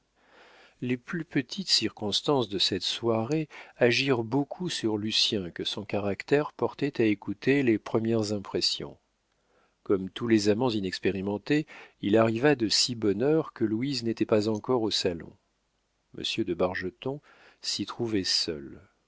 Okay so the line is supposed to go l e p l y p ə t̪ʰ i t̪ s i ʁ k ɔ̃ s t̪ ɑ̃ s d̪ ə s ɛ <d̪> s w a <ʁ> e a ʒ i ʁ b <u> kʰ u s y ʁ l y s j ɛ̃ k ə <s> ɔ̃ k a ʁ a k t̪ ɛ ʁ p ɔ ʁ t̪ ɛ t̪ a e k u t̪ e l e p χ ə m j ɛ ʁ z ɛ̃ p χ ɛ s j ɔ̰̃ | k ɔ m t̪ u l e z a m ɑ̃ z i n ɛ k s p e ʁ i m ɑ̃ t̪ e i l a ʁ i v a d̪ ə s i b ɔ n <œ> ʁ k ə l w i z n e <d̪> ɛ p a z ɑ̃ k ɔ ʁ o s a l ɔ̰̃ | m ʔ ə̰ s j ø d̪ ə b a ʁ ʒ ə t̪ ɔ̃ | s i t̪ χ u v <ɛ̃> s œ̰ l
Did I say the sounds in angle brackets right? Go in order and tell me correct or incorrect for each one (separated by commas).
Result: incorrect, correct, incorrect, correct, correct, incorrect, incorrect